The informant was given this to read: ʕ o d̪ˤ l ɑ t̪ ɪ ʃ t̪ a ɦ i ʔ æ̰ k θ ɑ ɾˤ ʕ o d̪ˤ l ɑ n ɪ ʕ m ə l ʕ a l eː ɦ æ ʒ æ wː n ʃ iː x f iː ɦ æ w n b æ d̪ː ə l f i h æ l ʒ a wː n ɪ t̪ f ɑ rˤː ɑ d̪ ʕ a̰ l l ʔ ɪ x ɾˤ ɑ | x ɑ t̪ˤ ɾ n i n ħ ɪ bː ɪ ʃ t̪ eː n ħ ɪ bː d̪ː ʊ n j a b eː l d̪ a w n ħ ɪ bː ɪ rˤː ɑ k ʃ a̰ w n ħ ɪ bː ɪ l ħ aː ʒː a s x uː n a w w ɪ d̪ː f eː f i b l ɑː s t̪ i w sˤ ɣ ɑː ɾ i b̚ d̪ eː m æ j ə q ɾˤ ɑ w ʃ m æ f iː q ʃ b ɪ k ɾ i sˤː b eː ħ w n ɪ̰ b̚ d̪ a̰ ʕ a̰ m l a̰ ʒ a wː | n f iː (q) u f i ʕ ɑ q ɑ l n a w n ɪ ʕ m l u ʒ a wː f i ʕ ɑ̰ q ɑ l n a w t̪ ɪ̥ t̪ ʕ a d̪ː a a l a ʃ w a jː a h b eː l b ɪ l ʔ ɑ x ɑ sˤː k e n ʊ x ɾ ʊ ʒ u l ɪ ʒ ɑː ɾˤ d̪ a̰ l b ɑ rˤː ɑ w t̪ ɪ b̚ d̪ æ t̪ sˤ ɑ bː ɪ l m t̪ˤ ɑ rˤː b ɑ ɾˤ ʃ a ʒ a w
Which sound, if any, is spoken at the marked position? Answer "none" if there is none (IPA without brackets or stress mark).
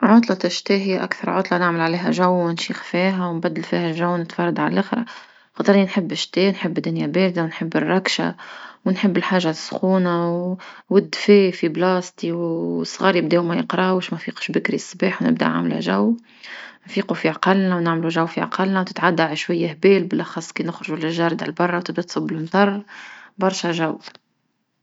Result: q